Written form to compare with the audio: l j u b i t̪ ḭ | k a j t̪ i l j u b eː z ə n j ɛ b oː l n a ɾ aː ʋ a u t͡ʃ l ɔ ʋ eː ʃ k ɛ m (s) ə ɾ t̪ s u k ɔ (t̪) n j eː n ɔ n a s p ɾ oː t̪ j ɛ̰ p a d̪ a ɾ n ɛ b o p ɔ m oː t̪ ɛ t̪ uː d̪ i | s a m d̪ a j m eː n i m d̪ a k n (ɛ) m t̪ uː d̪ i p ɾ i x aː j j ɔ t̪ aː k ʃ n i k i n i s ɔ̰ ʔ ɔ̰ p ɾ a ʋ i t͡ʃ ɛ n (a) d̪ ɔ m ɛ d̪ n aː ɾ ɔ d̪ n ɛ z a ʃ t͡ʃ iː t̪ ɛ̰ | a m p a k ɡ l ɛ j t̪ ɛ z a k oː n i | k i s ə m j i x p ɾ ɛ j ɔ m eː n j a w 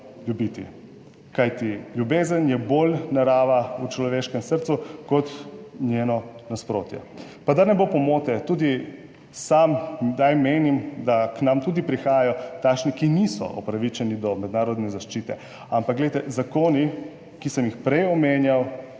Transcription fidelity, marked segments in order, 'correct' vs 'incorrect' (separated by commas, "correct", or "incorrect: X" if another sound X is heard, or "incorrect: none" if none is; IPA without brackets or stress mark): correct, correct, incorrect: a, incorrect: i